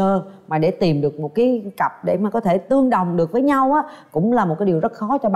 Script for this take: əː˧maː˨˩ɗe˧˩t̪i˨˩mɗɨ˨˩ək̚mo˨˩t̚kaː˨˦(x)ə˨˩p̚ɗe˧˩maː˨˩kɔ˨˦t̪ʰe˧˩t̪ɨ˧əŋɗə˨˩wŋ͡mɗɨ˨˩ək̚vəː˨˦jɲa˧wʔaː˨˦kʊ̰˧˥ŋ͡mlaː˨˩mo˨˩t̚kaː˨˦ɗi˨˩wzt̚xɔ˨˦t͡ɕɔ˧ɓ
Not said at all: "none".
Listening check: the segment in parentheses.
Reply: k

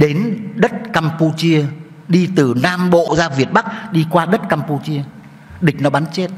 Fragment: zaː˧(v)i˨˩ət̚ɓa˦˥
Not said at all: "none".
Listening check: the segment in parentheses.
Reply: v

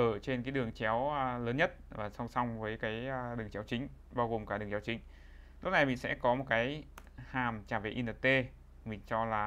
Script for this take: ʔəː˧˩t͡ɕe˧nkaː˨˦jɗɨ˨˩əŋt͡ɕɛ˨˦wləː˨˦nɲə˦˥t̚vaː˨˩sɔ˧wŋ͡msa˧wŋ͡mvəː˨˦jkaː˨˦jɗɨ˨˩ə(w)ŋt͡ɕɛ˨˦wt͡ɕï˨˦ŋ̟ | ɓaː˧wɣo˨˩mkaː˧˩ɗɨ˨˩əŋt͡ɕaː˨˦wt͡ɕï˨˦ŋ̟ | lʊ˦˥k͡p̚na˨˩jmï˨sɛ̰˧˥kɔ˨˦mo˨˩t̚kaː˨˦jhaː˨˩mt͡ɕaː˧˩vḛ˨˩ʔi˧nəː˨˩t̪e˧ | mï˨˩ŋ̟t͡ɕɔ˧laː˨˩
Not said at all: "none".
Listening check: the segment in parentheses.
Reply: none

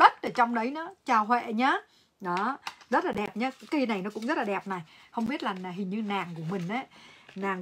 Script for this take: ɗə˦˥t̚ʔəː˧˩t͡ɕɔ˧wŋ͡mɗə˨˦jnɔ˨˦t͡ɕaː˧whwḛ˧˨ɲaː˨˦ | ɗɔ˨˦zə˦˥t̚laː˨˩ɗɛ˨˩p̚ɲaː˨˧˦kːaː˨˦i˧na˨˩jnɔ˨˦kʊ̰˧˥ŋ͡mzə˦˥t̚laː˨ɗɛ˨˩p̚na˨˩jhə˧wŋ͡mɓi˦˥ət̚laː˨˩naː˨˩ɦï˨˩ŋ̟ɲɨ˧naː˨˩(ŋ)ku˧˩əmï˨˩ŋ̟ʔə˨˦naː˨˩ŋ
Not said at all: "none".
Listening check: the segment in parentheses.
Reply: ŋ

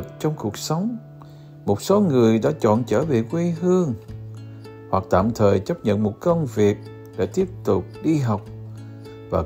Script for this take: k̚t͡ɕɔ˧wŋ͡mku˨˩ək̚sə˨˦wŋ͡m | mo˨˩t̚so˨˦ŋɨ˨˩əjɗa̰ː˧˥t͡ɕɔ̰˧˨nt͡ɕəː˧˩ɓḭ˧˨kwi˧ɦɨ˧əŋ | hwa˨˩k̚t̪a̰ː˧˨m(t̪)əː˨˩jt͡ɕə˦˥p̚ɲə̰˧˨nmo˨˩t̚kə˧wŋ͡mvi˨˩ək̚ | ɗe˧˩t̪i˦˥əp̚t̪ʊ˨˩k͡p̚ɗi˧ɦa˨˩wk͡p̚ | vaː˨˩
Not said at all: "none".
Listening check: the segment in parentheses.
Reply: t̪ʰ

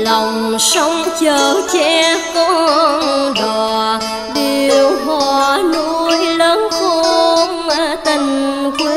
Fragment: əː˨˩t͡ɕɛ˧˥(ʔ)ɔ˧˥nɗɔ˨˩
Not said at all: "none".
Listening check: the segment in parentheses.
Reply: k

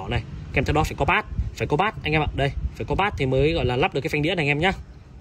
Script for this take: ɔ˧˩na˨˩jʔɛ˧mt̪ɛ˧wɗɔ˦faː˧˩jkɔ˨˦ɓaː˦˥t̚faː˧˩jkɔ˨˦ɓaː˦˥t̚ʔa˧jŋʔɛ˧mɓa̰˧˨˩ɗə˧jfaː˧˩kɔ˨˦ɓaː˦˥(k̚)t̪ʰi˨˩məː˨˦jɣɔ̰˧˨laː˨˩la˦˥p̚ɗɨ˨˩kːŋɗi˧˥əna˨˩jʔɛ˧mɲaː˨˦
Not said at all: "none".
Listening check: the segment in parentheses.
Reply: t̚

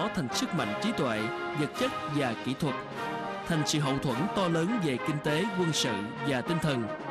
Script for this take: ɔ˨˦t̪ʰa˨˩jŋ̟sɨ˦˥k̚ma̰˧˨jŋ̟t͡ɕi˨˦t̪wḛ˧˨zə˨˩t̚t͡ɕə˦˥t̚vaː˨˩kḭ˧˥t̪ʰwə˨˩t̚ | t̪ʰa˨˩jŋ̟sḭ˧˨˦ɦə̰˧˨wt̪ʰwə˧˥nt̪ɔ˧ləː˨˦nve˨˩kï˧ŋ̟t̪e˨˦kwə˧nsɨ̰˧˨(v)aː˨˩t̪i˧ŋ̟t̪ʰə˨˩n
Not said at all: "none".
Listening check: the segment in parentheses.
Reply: v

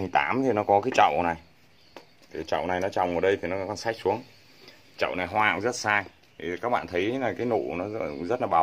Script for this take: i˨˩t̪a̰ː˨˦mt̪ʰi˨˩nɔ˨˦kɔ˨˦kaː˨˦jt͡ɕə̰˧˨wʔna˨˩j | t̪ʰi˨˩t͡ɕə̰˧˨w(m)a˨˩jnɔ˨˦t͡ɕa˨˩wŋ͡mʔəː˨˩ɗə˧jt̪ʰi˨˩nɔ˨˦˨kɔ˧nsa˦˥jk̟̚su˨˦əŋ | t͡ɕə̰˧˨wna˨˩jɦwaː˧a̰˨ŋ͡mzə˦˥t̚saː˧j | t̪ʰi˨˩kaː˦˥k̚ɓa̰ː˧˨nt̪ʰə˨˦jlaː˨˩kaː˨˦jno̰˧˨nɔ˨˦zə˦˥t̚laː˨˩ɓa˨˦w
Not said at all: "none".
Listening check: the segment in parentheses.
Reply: n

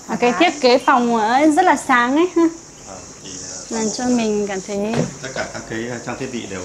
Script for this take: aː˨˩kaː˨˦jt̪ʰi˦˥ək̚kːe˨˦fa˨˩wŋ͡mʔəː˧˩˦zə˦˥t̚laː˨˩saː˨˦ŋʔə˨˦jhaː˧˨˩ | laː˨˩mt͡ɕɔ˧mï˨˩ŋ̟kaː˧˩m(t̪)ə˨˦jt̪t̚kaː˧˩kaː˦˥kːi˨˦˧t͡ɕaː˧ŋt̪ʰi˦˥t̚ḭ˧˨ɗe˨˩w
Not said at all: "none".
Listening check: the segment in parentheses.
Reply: t̪ʰ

